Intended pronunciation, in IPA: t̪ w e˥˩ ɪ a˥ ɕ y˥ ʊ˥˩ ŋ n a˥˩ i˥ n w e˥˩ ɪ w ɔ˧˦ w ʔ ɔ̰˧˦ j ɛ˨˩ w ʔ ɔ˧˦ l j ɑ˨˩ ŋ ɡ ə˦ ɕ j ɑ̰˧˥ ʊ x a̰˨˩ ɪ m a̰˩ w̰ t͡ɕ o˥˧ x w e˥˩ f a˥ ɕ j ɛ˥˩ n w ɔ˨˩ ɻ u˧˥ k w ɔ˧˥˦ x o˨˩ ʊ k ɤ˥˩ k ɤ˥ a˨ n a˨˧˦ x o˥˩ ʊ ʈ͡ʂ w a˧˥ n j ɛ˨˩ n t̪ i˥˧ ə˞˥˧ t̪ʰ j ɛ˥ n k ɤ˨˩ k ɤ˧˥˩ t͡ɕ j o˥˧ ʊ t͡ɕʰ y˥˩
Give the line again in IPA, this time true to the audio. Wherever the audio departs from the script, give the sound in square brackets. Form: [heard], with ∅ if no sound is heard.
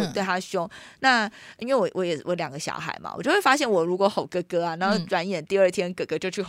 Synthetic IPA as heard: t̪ w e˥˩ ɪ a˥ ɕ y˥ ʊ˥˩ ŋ n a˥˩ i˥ n w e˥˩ ɪ w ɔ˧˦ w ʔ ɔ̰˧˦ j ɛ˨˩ w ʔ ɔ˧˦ l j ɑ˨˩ ŋ ɡ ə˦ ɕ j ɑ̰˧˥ ʊ x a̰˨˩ ɪ m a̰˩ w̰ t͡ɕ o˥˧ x w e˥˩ f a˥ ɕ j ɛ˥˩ n w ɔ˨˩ ɻ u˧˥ k w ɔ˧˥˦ x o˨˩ ʊ k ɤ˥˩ k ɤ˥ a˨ n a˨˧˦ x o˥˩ ʊ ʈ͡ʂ w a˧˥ n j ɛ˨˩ n t̪ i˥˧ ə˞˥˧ t̪ʰ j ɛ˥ n k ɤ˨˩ k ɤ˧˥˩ t͡ɕ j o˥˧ ʊ t͡ɕʰ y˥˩